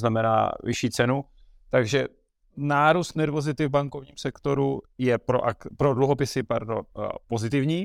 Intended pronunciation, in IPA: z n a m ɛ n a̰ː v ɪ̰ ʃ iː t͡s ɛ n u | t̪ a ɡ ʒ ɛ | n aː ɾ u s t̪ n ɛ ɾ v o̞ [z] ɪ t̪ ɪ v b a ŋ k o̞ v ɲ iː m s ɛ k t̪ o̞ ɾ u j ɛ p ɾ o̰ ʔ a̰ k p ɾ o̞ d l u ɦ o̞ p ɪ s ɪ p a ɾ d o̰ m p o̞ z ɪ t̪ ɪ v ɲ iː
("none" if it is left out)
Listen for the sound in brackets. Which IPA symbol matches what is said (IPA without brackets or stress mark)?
z